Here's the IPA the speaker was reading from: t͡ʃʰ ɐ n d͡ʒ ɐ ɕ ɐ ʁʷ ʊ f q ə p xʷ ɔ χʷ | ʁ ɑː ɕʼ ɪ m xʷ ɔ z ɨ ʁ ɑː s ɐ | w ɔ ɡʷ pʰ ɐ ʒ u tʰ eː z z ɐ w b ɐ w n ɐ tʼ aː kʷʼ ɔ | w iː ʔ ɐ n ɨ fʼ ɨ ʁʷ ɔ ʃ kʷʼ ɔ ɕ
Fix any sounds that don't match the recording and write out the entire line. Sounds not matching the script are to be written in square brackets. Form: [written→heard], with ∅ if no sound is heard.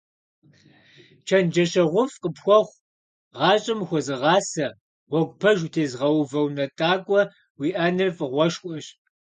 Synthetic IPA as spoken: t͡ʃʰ ɐ n d͡ʒ ɐ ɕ ɐ ʁʷ ʊ f q ə p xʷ ɔ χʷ | ʁ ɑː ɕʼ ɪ m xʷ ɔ z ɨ ʁ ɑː s ɐ | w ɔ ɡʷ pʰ ɐ ʒ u tʰ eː z [z→ʁ] ɐ w [b→v] ɐ w n ɐ tʼ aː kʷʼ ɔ | w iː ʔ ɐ n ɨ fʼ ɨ ʁʷ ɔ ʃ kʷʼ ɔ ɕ